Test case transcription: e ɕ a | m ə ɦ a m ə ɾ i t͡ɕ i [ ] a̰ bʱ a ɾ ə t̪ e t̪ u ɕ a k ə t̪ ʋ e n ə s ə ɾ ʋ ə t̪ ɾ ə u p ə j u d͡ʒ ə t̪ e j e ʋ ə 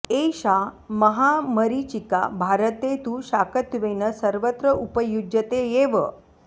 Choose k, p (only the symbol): k